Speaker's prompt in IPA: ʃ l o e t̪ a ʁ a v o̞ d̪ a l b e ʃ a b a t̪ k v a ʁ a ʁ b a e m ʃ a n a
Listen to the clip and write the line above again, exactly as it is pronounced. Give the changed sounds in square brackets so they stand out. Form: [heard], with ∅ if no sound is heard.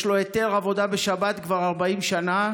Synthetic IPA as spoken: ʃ l o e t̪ [e] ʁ a v o̞ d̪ a [∅] b e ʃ a b a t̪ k v a ʁ a ʁ b a [i] m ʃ a n a